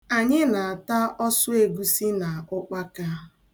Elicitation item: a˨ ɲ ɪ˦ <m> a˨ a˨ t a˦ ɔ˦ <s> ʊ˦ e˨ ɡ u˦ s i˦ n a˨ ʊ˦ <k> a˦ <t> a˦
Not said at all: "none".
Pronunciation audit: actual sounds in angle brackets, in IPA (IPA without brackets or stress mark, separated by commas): n, s, k͡p, k